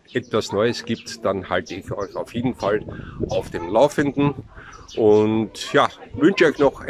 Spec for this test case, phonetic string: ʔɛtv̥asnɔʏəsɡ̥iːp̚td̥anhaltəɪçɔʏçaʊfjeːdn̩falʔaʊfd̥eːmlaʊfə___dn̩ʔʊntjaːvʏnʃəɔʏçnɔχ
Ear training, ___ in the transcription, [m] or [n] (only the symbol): n